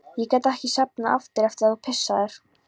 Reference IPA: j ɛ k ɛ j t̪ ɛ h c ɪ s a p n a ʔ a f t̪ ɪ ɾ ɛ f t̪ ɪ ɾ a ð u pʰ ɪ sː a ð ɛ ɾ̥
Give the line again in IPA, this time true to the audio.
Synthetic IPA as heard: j ɛ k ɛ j t̪ ɛ h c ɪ s a p n a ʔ a f t̪ ɪ ɾ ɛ f t̪ ɪ ɾ a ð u pʰ ɪ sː a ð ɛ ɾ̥